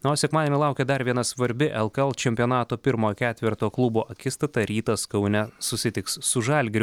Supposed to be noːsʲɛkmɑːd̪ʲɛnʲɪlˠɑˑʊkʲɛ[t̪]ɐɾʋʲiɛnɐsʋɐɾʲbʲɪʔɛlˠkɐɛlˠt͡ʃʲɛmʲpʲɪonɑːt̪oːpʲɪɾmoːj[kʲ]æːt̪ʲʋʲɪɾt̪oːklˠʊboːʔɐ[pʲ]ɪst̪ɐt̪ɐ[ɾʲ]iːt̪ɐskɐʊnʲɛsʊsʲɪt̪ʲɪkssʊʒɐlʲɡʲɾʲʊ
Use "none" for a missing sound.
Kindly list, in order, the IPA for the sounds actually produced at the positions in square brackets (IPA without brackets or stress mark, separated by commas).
d̪, kʲ, kʲ, ɾʲ